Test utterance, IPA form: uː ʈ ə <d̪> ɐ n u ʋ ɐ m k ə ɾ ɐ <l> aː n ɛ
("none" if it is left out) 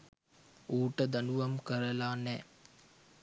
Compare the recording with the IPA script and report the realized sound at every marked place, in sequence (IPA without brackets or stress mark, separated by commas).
d̪, l